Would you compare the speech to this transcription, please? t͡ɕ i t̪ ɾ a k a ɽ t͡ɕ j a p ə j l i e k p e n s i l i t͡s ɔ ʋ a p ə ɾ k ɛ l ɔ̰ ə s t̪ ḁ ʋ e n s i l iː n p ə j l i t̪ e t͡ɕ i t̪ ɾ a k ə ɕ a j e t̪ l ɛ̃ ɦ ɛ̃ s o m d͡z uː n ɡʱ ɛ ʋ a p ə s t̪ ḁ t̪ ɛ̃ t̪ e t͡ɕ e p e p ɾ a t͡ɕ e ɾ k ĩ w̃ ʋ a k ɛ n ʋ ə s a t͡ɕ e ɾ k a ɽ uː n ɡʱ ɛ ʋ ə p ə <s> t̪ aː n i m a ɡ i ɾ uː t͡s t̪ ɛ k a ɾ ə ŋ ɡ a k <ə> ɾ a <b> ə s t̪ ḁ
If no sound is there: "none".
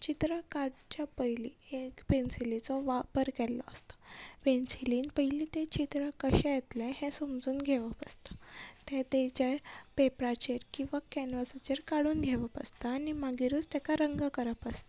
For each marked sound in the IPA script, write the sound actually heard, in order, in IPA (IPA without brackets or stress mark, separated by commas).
s, ə, p